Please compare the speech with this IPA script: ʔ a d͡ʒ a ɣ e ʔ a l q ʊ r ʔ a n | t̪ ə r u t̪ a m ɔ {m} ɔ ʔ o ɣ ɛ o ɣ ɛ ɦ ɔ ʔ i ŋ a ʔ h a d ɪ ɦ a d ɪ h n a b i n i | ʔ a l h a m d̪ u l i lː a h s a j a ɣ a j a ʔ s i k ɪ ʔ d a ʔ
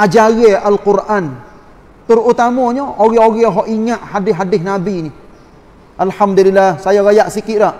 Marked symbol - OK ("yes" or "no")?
no